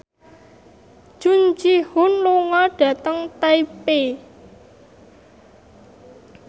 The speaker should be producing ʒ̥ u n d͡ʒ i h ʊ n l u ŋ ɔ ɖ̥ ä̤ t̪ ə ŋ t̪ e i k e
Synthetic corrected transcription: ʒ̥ u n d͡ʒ i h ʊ n l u ŋ ɔ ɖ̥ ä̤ t̪ ə ŋ t̪ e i p e